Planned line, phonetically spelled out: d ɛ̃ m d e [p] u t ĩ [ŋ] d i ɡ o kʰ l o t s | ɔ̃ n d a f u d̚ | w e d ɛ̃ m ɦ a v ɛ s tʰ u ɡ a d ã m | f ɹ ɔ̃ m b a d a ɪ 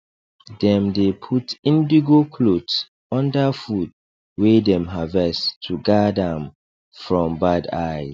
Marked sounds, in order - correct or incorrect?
incorrect: pʰ, incorrect: n

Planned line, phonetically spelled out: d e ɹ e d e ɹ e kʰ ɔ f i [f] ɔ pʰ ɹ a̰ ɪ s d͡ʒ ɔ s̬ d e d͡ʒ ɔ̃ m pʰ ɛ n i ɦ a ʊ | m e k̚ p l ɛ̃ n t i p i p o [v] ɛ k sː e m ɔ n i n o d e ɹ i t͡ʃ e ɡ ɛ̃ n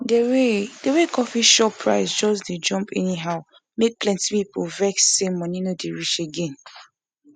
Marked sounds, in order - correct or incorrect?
incorrect: ʃ, correct

